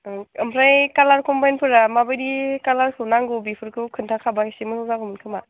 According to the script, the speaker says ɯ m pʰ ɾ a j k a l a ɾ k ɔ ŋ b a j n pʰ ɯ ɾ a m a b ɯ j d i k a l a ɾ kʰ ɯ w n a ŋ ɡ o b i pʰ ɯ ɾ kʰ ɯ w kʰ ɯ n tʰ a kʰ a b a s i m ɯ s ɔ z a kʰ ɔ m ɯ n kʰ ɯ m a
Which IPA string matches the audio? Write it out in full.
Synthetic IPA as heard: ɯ m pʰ ɾ a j k a l a ɾ k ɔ m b a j n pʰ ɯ ɾ a m a b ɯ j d i k a l a ɾ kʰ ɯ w n a ŋ ɡ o b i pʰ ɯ ɾ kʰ ɯ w kʰ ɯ n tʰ a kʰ a b a s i m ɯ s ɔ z a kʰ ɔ m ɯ n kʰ ɯ m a